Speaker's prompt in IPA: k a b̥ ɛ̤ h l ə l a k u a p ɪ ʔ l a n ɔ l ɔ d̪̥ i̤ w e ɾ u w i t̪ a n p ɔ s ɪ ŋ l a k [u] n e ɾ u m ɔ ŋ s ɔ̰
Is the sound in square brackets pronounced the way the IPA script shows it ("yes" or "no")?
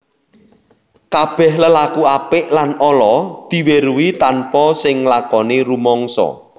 no